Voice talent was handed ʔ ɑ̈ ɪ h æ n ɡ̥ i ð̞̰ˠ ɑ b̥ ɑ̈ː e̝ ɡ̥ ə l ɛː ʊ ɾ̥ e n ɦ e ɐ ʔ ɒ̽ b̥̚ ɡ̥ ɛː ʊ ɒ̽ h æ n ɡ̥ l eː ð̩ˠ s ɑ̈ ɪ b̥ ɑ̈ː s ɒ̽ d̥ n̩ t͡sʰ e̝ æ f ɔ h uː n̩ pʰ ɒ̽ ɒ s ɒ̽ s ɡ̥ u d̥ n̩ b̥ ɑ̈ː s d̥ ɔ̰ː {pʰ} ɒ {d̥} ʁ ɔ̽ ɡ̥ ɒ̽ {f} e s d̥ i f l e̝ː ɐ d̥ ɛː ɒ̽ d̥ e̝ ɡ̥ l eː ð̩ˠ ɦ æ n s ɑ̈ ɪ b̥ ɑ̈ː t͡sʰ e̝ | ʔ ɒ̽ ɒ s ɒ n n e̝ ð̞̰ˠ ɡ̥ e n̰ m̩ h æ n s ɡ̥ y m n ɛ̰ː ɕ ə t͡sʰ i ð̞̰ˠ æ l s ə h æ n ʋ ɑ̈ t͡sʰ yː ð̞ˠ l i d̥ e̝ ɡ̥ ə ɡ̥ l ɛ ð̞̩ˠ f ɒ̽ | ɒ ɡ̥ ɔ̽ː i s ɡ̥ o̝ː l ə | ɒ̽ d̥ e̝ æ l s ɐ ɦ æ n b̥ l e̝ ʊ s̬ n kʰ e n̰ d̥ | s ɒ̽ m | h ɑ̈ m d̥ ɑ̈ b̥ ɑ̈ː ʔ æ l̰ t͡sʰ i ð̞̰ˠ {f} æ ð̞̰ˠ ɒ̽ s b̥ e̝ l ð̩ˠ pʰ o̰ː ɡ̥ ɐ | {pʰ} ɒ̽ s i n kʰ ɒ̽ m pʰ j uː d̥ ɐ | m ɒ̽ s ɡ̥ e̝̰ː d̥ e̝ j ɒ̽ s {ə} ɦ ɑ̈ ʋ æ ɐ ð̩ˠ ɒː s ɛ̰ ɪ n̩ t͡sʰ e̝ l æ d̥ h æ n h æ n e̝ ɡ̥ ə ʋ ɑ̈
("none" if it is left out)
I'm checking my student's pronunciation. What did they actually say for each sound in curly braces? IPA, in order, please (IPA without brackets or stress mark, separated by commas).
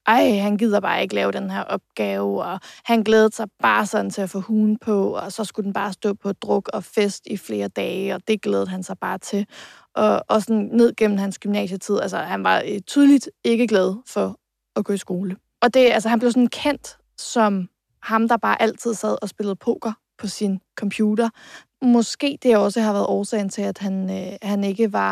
pʰ, d̥, f, s, pʰ, ə